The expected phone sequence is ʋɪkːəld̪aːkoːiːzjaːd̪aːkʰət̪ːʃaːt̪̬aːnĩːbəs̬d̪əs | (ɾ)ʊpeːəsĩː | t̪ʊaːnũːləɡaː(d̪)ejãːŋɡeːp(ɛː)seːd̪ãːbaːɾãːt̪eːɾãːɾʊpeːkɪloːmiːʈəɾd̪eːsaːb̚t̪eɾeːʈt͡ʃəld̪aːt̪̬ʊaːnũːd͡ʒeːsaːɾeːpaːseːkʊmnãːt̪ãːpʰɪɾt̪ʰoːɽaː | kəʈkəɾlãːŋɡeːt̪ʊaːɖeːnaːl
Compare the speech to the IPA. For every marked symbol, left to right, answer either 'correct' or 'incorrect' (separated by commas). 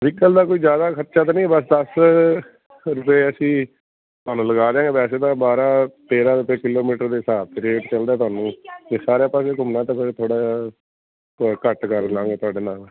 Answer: correct, correct, correct